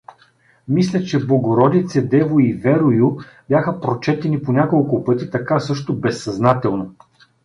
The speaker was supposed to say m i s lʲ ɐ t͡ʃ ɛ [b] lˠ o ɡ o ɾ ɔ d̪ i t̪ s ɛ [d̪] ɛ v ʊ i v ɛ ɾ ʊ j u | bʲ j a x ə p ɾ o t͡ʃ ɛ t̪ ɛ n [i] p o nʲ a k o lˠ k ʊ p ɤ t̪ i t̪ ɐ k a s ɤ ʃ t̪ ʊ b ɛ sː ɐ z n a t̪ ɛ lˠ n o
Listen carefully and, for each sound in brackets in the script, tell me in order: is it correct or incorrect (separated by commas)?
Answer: correct, correct, correct